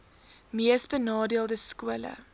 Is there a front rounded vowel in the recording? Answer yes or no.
no